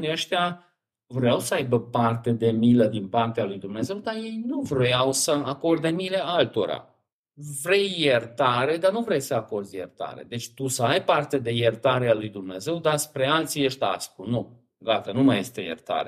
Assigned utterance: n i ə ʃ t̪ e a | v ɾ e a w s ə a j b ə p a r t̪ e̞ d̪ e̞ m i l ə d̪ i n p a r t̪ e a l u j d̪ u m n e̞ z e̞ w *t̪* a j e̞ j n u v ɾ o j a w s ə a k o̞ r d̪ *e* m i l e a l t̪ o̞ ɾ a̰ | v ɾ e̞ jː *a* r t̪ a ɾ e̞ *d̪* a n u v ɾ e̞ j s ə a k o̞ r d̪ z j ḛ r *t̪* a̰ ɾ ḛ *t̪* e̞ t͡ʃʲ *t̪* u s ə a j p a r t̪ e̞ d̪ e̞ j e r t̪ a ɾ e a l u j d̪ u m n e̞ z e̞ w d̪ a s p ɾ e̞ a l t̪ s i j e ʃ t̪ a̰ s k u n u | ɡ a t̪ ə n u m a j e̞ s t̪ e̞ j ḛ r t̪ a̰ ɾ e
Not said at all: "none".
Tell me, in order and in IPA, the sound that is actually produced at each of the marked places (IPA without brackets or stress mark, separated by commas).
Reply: d̪, e, e, d̪, t̪, d̪, t̪